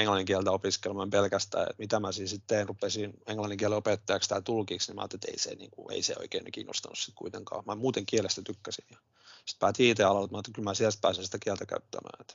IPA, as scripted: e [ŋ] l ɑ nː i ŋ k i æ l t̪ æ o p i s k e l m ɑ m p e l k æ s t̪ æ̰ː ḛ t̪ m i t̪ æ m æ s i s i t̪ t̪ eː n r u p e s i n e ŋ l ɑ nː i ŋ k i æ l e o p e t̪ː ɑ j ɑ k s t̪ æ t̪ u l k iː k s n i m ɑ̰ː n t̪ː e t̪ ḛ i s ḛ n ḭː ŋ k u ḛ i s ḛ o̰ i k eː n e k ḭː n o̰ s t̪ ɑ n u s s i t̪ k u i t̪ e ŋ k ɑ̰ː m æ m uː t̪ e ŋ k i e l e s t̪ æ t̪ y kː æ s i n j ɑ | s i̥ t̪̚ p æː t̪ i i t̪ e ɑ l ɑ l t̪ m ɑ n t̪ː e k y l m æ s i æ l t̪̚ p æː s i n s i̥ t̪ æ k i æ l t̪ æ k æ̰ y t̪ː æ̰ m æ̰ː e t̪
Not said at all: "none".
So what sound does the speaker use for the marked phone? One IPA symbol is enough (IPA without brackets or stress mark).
ŋ